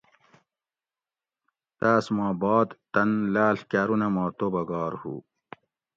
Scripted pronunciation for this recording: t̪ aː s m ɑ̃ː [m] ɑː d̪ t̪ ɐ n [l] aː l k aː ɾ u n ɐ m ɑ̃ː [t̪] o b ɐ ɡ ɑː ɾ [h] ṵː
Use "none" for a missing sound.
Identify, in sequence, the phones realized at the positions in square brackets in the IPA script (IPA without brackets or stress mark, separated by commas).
b, l, t̪, h